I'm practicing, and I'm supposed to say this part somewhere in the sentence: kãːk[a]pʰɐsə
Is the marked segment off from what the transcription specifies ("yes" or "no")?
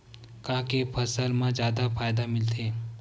yes